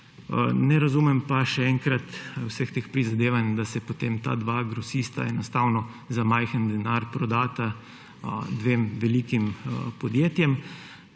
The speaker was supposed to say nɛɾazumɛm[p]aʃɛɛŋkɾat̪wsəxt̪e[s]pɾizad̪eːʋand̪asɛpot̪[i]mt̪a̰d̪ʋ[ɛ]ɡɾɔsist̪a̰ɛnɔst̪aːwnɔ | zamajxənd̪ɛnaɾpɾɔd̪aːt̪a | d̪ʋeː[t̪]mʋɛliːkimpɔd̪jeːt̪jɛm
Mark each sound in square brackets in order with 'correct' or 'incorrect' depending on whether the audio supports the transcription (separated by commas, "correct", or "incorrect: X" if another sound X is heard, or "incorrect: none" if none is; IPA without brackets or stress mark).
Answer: correct, incorrect: x, incorrect: e, incorrect: a, incorrect: none